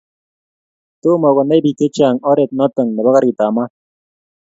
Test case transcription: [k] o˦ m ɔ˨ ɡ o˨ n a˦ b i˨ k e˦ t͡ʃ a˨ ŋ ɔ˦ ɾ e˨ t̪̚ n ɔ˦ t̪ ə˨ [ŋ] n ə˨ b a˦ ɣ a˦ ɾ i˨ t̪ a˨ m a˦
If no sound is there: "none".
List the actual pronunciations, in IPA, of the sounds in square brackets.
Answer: t, ŋ

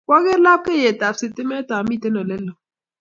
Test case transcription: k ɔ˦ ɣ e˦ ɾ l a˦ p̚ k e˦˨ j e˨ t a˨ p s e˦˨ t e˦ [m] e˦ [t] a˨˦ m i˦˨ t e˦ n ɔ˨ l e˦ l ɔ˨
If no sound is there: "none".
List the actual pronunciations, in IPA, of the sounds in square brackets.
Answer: m, t

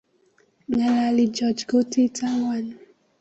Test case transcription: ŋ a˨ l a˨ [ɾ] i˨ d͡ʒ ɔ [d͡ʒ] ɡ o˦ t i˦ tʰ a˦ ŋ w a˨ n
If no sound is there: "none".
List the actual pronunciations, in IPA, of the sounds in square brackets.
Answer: l, d͡ʒ

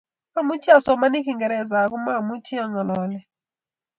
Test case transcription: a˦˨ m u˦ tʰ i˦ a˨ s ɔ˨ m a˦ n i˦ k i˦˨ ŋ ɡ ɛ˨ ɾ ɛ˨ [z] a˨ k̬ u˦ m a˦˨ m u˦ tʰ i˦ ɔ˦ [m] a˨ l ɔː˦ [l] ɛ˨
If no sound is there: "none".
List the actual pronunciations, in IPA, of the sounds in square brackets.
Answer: z, ŋ, l

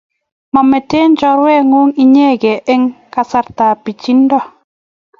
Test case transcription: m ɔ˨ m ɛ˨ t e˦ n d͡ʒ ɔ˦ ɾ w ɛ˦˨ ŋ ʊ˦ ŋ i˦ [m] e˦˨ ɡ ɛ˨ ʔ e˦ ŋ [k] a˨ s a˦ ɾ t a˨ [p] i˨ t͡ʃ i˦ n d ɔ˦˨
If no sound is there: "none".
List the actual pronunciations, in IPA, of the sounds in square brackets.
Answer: ɲ, k, p

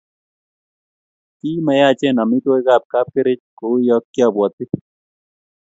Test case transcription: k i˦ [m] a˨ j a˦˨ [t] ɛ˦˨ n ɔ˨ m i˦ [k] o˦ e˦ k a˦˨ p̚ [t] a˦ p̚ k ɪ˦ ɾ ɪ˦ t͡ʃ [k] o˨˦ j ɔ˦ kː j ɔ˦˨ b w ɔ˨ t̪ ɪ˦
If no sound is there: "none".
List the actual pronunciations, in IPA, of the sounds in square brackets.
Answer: m, t͡ʃ, t, k, k

